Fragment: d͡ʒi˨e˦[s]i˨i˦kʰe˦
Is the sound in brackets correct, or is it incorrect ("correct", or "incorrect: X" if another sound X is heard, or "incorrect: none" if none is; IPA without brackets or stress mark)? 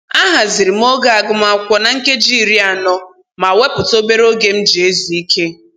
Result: incorrect: z